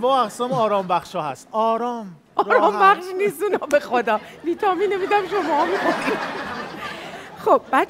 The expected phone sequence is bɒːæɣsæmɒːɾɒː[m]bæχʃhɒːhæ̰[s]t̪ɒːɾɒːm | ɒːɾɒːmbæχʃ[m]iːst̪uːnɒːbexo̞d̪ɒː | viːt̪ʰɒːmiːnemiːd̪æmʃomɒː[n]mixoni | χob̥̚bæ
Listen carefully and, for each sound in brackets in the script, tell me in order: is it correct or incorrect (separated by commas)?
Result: correct, correct, incorrect, incorrect